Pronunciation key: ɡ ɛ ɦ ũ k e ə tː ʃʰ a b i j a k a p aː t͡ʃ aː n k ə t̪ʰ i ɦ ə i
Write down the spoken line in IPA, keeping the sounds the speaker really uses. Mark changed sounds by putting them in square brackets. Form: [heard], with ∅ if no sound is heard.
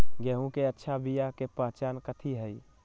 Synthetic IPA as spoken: ɡ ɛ ɦ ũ k e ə tː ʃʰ a b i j a k [e] p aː t͡ʃ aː n k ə t̪ʰ i ɦ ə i